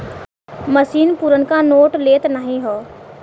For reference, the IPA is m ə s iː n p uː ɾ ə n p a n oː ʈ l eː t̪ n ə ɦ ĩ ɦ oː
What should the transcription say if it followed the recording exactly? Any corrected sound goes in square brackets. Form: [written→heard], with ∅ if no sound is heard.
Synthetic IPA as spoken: m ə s iː n p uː ɾ ə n [p→k] a n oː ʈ l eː t̪ n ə ɦ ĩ ɦ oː